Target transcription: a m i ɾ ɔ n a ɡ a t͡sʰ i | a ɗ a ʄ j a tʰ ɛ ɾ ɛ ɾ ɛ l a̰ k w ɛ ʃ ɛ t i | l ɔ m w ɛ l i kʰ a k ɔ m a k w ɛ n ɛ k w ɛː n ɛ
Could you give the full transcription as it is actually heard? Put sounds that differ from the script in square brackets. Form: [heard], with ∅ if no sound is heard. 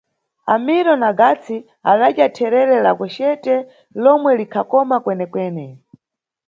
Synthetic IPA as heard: a m i ɾ ɔ n a ɡ a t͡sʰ i | a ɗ a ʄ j a tʰ ɛ ɾ ɛ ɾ ɛ l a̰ k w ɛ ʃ ɛ t [ɛ] | l ɔ m w ɛ l i kʰ a k ɔ m a k w ɛ n ɛ k w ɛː n ɛ

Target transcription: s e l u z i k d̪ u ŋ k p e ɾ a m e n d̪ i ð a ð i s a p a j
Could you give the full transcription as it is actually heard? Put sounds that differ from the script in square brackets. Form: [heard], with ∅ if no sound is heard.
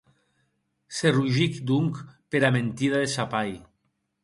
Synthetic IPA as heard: s e [r] u [ʒ] i k d̪ u ŋ k p e ɾ a m e n [t̪] i ð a ð [e] s a p a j

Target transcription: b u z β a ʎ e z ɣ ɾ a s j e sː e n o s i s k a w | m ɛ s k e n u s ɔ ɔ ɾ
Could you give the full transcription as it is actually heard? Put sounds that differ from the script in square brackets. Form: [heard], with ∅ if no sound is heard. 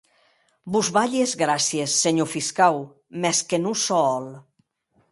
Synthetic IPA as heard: b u z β a ʎ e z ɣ ɾ a s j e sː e [ɲ] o [f] i s k a w | m ɛ s k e n u s ɔ ɔ [l]

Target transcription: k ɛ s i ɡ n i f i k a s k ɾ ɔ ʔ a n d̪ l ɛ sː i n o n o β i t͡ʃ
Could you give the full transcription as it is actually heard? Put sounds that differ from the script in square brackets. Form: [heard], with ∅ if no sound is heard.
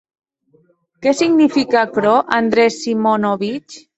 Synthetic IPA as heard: k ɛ s i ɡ n i f i k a [∅] k ɾ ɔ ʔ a n d̪ [ɾ] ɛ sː i [m] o n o β i t͡ʃ

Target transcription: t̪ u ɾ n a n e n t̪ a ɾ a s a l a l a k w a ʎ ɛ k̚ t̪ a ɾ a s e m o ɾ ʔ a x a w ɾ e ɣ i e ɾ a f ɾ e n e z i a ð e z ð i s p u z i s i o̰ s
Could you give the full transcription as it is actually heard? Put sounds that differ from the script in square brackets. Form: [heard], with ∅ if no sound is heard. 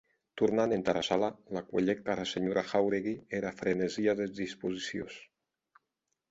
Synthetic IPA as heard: t̪ u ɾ n a n e n t̪ a ɾ a s a l a l a k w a ʎ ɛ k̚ t̪ a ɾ a s e [ɲ] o ɾ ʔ a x a w ɾ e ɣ i e ɾ a f ɾ e n e z i a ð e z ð i s p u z i s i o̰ s

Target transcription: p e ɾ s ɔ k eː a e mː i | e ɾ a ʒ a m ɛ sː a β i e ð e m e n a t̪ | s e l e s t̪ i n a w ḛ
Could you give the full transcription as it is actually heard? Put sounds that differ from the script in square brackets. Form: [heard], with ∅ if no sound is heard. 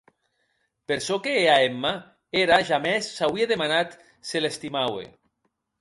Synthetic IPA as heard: p e ɾ s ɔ k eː a e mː [a] | e ɾ a ʒ a m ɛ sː a [w] i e ð e m [a] n a t̪ | s e l e s t̪ i [m] a w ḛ

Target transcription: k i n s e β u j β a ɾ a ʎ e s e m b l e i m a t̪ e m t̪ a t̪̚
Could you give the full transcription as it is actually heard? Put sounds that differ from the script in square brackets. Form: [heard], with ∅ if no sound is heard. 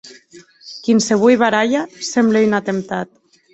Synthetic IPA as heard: k i n s e β u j β a ɾ a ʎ [a] s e m b l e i [n] a t̪ e m t̪ a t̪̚

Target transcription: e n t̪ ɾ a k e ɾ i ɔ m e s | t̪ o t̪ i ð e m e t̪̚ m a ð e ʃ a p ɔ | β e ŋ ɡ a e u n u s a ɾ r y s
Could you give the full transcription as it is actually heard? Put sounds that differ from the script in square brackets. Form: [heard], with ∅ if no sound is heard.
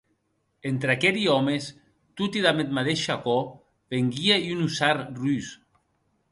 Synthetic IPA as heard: e n t̪ ɾ a k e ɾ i ɔ m e s | t̪ [u] t̪ i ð [a] m e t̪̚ m a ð e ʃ a [k] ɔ | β e ŋ ɡ [i] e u n u s a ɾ r y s

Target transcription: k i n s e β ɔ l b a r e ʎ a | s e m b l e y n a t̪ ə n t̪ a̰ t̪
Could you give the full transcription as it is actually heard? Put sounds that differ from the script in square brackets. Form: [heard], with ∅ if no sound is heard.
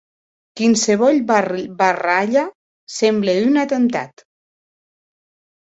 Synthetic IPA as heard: k i n s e β ɔ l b a r [a] ʎ a | s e m b l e y n a t̪ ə n t̪ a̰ t̪

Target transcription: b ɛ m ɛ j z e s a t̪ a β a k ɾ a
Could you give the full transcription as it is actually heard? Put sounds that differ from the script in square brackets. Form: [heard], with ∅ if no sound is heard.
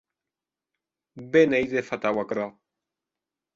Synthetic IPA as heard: b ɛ [n] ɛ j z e [f] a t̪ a [w] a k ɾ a

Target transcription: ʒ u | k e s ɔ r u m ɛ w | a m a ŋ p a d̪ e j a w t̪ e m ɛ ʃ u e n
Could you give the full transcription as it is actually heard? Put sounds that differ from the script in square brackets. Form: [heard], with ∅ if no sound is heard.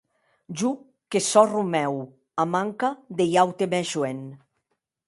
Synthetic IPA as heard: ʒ u | k e s ɔ r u m ɛ w | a m a ŋ [k] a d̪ e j a w t̪ e m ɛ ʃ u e n

